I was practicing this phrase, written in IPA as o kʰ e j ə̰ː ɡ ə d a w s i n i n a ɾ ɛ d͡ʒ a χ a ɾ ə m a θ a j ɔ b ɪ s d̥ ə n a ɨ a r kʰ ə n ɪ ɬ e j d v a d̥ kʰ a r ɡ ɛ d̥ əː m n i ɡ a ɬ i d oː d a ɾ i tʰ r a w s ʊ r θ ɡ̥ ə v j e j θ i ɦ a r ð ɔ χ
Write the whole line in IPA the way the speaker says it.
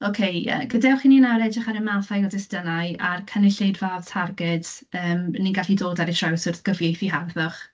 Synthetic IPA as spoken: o kʰ e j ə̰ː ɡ ə d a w χ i n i n a ɾ ɛ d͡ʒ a χ a ɾ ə m a θ a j ɔ d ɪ s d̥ ə n a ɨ a r kʰ ə n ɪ ɬ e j d v a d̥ tʰ a r ɡ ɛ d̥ əː m n i ɡ a ɬ i d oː d a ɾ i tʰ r a w s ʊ r θ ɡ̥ ə v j e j θ i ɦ a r ð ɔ χ